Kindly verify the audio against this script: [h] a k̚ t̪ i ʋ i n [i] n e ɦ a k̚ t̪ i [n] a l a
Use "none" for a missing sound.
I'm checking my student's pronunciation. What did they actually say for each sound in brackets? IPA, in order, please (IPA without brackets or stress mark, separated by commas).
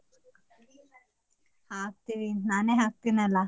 h, a, n